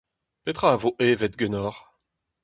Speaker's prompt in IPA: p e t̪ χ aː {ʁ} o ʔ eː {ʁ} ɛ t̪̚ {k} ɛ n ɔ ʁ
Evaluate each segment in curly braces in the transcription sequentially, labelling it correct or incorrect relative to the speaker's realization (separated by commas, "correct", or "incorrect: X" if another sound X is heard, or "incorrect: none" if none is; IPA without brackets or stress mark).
incorrect: v, incorrect: v, incorrect: ɡ